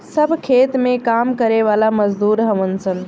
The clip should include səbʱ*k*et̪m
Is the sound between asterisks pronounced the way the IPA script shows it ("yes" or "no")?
no